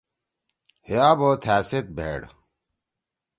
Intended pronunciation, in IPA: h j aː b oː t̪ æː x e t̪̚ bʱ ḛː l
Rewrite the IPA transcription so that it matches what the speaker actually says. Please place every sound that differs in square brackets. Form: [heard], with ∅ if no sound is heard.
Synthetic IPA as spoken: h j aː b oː [t̪ʰ] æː [s] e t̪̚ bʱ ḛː [ɽ]